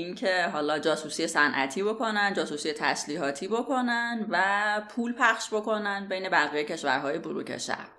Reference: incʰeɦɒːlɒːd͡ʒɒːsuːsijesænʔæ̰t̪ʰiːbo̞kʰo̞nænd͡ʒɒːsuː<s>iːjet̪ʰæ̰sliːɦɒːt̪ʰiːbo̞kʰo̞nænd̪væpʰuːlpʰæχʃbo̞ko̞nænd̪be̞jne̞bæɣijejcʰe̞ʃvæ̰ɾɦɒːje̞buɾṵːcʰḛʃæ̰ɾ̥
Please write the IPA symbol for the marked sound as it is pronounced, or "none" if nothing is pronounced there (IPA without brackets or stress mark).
s